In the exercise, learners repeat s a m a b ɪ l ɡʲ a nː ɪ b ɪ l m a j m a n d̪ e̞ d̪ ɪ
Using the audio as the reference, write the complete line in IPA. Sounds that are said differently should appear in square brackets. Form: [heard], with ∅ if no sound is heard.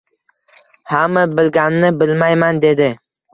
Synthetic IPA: [h] a m a b ɪ l ɡʲ a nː ɪ b ɪ l m a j m a n d̪ e̞ d̪ ɪ